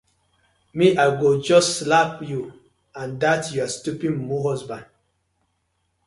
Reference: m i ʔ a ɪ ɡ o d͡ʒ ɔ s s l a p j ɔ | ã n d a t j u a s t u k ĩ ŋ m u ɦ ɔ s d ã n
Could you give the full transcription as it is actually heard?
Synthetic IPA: m i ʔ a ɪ ɡ o d͡ʒ ɔ s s l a p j u | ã n d a t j u a s t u p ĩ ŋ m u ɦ ɔ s b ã n